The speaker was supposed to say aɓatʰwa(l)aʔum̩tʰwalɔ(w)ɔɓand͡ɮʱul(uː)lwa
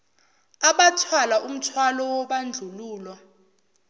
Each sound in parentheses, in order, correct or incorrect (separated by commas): correct, correct, correct